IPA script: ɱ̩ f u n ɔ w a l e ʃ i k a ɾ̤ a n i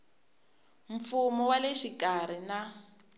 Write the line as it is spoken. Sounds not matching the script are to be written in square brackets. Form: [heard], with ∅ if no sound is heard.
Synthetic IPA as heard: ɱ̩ f u [m] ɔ w a l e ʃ i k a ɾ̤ [i] n [a]